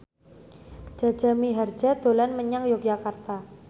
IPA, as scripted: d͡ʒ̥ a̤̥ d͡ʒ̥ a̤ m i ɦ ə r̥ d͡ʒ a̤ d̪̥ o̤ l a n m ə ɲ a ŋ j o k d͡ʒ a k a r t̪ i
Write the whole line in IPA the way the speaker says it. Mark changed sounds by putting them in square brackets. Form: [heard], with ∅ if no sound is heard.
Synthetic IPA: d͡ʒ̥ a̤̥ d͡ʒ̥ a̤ m i ɦ [a] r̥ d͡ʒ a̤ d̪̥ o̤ l a n m ə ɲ a ŋ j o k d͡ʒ a k a r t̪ [a]